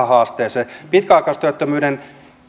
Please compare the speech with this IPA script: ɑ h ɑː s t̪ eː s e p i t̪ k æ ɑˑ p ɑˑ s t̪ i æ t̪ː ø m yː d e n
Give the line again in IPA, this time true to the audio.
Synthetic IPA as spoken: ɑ h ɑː s t̪ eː s e p i t̪ k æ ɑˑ k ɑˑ s t̪ y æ t̪ː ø m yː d e n